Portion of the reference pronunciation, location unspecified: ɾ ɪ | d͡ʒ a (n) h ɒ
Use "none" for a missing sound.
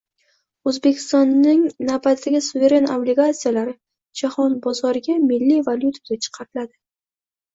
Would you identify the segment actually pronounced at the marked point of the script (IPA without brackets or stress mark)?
none